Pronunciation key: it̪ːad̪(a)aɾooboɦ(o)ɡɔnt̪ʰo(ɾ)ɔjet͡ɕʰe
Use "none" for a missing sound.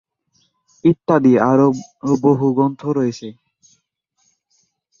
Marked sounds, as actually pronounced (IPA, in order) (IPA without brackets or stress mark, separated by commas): i, u, ɾ